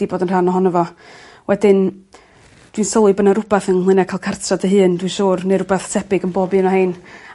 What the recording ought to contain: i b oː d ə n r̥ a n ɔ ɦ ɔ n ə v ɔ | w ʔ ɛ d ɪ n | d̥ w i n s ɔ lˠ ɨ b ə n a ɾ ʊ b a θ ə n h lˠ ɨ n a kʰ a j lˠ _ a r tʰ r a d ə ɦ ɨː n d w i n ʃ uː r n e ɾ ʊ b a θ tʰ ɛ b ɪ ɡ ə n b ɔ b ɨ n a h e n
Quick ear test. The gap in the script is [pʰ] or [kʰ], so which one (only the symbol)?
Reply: kʰ